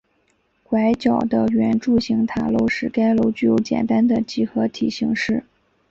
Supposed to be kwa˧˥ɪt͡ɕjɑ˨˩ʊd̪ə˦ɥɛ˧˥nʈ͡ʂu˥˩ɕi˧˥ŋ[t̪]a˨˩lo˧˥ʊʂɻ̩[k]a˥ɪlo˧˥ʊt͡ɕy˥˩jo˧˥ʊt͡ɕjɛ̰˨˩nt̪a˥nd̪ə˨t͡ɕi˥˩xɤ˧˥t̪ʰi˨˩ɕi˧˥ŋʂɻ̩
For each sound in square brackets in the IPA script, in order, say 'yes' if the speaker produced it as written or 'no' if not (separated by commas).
no, yes